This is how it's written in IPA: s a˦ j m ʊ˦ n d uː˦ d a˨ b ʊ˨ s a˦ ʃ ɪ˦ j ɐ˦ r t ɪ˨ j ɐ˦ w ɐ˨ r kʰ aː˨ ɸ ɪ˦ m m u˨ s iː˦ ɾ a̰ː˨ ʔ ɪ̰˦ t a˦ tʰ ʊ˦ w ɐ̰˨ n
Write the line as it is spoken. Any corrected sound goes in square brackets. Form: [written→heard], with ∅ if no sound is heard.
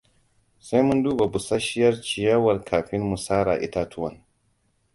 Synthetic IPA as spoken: s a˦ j m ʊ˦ n d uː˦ [d→b] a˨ b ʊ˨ s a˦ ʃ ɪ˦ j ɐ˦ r [t→t͡ʃ] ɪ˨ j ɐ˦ w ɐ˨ r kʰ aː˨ ɸ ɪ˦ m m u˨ s [iː˦→aː˦] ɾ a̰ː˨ ʔ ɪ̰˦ t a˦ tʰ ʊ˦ w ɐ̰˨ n